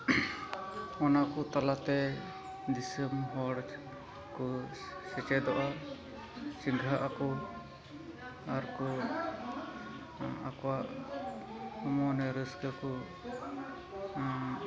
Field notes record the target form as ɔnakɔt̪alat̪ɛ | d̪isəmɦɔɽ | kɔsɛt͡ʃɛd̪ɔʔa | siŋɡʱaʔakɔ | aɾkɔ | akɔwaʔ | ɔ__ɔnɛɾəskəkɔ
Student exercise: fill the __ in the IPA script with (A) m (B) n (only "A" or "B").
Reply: A